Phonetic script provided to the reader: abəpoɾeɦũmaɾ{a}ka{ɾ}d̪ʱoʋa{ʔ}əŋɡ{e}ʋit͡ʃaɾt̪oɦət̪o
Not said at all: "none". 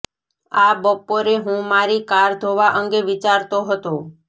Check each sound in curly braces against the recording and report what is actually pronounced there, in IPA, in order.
i, ɾ, ʔ, e

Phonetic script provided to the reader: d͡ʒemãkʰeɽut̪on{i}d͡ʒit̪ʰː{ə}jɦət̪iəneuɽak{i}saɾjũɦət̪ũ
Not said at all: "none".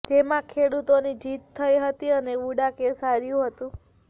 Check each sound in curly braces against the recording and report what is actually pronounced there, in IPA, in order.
i, ə, e

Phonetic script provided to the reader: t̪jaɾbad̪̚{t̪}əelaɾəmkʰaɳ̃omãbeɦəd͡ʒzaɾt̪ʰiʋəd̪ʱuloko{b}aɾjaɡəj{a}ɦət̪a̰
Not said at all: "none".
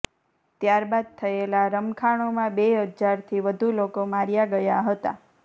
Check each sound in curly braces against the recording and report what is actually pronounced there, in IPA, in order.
t̪ʰ, m, a

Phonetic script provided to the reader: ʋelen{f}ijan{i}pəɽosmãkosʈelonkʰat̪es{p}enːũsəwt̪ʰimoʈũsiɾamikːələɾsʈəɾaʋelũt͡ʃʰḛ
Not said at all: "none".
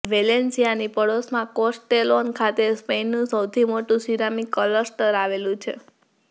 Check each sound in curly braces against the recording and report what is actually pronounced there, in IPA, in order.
s, i, p

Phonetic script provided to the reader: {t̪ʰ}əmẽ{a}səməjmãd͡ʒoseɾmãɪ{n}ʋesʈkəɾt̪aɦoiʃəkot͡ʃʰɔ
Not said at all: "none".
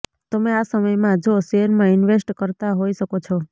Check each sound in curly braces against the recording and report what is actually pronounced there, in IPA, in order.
t̪, a, n

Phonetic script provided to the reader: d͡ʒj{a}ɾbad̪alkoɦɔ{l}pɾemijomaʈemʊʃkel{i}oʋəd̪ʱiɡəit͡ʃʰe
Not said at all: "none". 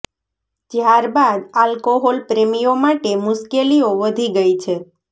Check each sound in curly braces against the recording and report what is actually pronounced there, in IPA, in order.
a, l, i

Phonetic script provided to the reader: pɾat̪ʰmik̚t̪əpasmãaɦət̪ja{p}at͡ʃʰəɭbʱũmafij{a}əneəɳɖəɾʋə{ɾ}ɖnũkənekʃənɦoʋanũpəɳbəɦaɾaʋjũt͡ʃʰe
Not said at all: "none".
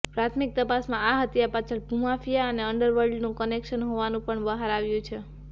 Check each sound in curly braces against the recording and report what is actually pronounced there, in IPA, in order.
p, a, ɾ

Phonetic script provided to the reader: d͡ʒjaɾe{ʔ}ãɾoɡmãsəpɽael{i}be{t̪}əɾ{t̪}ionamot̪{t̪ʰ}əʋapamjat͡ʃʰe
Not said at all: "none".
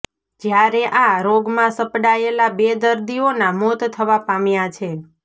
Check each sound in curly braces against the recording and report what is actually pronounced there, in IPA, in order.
ʔ, a, d̪, d̪, t̪ʰ

